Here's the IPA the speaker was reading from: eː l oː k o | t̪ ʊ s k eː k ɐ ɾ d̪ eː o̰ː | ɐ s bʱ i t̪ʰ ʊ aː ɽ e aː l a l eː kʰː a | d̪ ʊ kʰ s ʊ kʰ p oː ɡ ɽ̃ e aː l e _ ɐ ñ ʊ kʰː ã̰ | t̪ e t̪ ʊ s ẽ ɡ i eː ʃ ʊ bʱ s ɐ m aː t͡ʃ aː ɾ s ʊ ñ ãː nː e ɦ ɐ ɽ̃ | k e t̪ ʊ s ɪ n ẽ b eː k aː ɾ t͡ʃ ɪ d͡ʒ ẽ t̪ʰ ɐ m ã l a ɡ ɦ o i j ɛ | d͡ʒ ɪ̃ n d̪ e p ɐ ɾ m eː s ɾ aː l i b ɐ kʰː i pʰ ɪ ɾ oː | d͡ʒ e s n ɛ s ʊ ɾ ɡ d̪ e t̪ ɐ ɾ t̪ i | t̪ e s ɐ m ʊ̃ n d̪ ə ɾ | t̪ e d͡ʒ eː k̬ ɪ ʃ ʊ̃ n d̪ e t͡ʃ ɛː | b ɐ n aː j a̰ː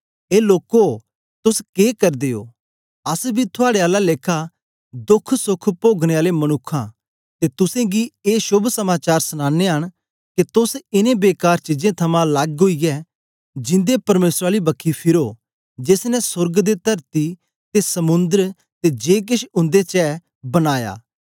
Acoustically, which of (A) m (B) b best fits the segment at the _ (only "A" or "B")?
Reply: A